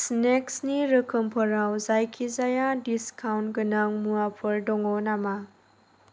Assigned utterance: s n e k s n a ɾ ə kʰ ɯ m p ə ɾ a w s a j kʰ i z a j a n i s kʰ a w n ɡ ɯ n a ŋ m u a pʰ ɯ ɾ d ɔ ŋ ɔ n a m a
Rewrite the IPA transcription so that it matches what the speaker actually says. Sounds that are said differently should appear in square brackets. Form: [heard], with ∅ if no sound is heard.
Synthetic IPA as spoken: s n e k s n [i] ɾ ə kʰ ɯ m [pʰ] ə ɾ a w [z] a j kʰ i z a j a [d] i s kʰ a w n ɡ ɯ n a ŋ m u a pʰ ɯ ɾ d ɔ ŋ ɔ n a m a